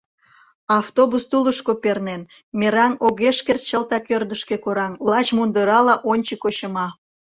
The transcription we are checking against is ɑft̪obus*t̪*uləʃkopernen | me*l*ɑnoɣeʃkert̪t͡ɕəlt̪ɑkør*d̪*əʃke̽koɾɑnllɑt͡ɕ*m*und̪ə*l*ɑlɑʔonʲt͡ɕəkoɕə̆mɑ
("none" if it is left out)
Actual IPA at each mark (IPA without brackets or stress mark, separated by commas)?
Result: t̪, ɾ, d̪, m, ɾ